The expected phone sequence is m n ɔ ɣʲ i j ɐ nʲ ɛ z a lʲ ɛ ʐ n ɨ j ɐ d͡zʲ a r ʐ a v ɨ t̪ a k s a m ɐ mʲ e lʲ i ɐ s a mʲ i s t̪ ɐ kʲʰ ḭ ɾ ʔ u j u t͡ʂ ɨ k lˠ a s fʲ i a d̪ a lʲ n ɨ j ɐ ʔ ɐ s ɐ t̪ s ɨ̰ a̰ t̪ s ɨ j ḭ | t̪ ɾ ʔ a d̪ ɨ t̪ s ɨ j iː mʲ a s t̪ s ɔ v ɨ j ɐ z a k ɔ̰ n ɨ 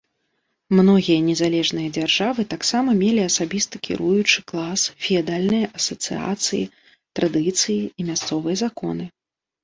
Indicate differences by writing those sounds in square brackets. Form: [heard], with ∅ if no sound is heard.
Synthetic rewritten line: m n ɔ ɣʲ i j ɐ nʲ ɛ z a lʲ ɛ ʐ n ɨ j ɐ d͡zʲ a r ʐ a v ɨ t̪ a k s a m ɐ mʲ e lʲ i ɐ s a [bʲ] i s t̪ ɐ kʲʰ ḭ ɾ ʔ u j u t͡ʂ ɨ k lˠ a s fʲ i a d̪ a lʲ n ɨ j ɐ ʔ ɐ s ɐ t̪ s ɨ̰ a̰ t̪ s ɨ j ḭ | t̪ ɾ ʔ a d̪ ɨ t̪ s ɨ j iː mʲ a s t̪ s ɔ v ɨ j ɐ z a k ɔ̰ n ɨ